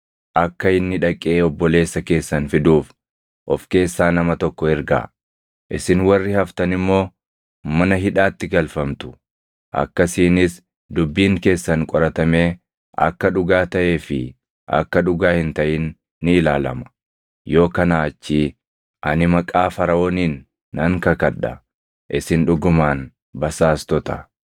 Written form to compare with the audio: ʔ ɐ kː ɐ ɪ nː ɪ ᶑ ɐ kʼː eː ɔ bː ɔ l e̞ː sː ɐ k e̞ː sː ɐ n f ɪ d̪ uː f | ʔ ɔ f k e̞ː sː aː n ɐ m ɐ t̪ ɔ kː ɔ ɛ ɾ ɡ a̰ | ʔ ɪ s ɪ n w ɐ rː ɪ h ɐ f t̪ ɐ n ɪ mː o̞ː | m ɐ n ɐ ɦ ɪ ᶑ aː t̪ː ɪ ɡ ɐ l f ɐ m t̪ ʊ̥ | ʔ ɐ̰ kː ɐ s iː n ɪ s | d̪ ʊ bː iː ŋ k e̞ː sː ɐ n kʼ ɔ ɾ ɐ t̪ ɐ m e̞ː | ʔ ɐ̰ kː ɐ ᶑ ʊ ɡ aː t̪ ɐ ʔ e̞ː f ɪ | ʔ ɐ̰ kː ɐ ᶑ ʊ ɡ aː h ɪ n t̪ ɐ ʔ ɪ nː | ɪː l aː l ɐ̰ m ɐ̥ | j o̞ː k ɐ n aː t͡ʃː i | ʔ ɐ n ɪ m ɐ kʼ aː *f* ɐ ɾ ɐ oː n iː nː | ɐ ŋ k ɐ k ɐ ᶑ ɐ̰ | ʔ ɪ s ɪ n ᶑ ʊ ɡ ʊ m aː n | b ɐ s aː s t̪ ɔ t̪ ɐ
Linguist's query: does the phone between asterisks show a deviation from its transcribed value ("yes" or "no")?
no